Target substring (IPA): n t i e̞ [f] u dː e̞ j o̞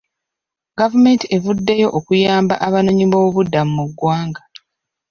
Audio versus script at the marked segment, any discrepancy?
yes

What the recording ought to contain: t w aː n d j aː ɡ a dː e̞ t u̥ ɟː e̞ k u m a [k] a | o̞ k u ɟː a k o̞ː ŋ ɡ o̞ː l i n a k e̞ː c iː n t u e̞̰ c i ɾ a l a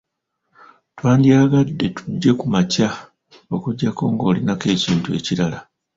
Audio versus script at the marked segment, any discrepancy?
yes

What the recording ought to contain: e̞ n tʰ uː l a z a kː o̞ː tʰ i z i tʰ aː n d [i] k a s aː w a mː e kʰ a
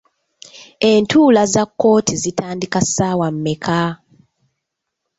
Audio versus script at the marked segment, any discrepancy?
no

